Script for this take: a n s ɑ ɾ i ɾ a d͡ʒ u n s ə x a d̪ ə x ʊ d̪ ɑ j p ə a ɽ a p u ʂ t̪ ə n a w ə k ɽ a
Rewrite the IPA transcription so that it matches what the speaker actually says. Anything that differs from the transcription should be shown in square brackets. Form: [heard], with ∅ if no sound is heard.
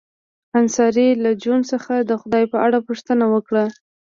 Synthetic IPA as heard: a n s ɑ ɾ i [l] a d͡ʒ u n s ə x a d̪ ə x ʊ d̪ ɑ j p ə a ɽ a p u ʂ t̪ ə n a w ə k ɽ a